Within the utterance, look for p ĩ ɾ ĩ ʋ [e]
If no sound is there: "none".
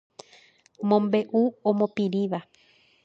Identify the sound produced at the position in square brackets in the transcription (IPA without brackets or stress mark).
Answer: a